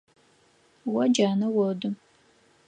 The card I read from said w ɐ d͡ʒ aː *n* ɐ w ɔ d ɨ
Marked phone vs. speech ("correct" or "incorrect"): correct